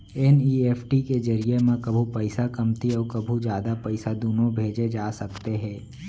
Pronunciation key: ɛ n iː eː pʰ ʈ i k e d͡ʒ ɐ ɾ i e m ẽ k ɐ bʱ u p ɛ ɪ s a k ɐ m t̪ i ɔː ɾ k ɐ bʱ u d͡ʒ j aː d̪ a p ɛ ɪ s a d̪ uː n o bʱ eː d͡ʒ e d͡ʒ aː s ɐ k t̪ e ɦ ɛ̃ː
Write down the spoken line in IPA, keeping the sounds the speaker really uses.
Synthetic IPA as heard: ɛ n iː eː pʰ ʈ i k e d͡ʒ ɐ ɾ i e m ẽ k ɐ bʱ u p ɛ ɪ s a k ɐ m t̪ i ɔː ɾ k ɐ bʱ u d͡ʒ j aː d̪ a p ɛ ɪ s a d̪ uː n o bʱ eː d͡ʒ e d͡ʒ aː s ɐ k t̪ e ɦ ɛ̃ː